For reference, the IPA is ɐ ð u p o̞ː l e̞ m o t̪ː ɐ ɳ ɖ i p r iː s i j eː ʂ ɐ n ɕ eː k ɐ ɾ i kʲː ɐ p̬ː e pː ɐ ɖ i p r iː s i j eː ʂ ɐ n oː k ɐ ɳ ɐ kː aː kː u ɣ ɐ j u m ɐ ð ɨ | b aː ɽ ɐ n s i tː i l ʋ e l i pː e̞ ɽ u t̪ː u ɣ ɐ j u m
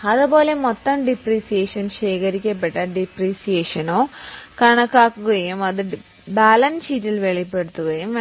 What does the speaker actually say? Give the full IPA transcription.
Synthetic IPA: ɐ ð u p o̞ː l e̞ m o t̪ː ɐ m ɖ i p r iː s i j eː ʂ ɐ n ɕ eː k ɐ ɾ i kʲː ɐ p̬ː e ʈː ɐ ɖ i p r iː s i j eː ʂ ɐ n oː k ɐ ɳ ɐ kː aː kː u ɣ ɐ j u m ɐ ð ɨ | b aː l ɐ n s i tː i l ʋ e ɭ i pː e̞ ɽ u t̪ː u ɣ ɐ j u m